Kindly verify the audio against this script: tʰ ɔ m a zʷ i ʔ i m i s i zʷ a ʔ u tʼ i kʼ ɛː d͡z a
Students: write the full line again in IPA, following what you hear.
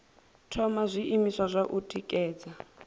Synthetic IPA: tʰ ɔ m a zʷ i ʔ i m i s a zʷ a ʔ u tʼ i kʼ ɛː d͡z a